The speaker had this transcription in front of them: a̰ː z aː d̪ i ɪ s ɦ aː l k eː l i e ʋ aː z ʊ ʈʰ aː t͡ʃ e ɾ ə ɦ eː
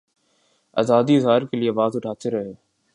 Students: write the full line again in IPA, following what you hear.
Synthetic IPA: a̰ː z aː d̪ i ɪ z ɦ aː ɾ k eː l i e ʋ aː z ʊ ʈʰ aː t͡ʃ e ɾ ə ɦ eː